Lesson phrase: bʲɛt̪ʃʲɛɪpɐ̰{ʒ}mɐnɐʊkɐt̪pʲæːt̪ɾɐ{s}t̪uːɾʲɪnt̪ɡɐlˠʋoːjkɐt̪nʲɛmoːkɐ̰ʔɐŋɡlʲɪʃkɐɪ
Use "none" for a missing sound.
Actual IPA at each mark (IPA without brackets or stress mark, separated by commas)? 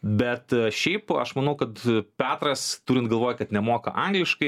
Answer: ʃ, s